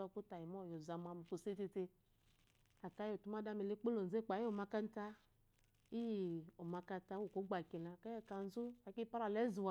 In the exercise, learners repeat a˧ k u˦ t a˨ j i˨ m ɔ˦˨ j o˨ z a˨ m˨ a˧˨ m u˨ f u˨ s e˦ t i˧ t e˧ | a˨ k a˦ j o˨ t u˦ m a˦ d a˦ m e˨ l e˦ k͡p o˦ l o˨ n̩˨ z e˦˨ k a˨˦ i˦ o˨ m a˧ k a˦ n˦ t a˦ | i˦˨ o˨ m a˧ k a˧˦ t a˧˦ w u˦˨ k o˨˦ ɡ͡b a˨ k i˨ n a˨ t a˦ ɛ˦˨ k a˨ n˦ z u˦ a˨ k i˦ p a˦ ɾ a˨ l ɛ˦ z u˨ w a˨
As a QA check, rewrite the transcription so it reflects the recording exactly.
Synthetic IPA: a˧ k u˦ t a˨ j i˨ m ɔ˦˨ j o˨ z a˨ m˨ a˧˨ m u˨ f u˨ s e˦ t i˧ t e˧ | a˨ k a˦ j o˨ t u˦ m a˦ d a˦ m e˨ l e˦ k͡p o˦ l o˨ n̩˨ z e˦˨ k͡p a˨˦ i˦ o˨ m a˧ k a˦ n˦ t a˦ | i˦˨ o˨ m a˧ k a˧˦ t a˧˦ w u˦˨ k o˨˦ ɡ͡b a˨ k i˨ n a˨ k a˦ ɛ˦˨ k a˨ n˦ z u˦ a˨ k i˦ p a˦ ɾ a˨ l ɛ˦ z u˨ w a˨